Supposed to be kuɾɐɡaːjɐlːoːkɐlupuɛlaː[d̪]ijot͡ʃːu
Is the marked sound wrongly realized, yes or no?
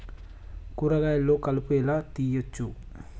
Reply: yes